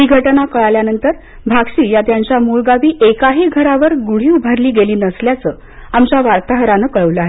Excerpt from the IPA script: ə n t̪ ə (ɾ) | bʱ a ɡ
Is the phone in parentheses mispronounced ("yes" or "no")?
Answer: no